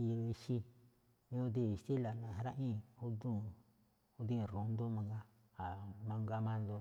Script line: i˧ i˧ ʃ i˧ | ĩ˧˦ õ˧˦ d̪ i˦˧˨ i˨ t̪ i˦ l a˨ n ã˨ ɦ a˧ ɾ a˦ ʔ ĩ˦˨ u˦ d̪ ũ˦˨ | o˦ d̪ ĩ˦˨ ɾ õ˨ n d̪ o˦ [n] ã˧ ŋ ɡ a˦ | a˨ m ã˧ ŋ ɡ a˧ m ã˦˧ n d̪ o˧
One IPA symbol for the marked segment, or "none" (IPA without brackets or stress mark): m